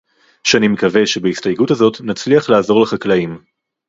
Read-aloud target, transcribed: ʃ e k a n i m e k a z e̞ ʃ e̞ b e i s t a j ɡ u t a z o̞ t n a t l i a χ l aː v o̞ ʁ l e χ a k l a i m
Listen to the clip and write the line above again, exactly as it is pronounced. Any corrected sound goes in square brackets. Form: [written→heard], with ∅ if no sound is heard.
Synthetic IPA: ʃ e [k→∅] a n i m e k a [z→v] e̞ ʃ e̞ b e i s t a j ɡ u t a z o̞ t n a [t→t͡s] l i a χ l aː [v→z] o̞ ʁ l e χ a k l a i m